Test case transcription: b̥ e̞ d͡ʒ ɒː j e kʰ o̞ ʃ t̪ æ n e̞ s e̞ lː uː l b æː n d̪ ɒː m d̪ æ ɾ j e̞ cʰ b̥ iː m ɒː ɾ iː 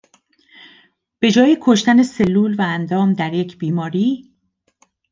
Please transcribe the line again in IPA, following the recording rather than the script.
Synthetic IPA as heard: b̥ e̞ d͡ʒ ɒː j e kʰ o̞ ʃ t̪ æ n e̞ s e̞ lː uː l v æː n d̪ ɒː m d̪ æ ɾ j e̞ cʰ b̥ iː m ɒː ɾ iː